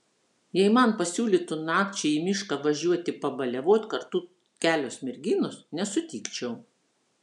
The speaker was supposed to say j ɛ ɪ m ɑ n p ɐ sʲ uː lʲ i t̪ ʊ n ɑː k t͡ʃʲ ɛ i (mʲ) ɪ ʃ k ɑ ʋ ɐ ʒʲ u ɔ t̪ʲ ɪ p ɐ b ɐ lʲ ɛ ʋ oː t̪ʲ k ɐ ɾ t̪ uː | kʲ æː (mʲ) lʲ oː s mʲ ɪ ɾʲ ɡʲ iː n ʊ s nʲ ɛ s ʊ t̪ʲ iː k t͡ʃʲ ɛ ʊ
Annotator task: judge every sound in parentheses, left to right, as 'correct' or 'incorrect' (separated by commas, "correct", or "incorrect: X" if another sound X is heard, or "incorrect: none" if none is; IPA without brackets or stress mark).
correct, incorrect: none